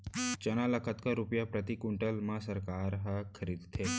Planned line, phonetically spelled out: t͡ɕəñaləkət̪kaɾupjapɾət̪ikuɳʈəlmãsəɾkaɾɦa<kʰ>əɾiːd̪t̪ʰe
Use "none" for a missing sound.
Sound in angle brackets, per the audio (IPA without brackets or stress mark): kʰ